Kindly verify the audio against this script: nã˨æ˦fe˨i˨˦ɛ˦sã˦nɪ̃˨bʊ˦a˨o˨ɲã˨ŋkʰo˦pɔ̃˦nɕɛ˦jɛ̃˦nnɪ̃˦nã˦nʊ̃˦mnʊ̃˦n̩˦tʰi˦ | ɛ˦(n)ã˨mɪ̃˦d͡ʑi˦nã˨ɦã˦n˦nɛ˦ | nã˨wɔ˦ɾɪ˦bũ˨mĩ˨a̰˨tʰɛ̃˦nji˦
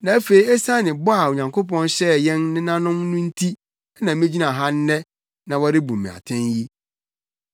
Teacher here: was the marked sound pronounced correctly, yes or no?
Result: yes